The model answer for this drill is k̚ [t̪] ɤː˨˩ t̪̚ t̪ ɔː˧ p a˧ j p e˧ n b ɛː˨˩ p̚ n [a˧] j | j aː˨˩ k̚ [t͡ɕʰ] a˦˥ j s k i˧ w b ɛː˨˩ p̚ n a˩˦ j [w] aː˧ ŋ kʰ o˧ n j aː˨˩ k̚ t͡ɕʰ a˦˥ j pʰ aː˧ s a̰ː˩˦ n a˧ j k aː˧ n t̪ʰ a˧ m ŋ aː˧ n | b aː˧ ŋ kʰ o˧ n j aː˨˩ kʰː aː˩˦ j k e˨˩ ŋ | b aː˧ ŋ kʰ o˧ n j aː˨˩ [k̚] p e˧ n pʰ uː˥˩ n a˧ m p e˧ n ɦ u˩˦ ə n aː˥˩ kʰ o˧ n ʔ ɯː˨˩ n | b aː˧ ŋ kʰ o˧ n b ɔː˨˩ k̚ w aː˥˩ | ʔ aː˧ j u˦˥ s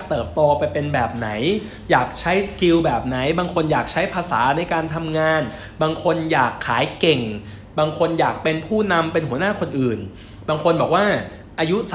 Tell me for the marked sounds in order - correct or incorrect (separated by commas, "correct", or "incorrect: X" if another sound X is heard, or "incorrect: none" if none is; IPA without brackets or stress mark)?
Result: correct, incorrect: a˩˦, correct, incorrect: b, correct